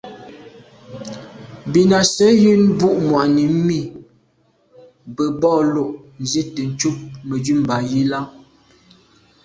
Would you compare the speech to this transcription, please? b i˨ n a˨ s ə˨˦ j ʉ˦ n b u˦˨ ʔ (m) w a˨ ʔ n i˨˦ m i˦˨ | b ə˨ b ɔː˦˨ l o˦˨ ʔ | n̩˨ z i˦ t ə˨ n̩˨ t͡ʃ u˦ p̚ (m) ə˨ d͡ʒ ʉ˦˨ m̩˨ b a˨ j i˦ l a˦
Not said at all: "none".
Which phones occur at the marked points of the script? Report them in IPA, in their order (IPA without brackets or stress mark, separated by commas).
m, m